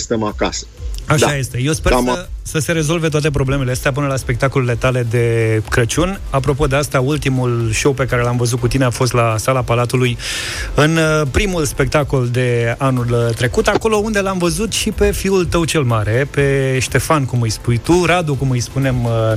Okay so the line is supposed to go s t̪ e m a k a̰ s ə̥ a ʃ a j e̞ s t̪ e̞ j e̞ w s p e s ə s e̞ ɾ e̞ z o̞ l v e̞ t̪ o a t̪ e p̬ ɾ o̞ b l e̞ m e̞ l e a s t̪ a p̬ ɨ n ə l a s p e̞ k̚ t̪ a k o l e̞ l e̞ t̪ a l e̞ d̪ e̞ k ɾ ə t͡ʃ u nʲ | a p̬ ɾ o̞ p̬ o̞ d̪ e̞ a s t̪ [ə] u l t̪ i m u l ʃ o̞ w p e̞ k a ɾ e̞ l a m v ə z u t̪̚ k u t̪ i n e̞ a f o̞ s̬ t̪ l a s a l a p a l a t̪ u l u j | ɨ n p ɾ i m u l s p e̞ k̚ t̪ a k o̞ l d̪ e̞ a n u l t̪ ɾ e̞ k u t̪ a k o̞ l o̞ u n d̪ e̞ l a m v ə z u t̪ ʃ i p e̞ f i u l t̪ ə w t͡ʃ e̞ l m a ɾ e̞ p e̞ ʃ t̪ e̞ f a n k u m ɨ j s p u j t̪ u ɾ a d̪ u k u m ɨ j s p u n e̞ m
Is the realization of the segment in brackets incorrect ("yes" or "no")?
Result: yes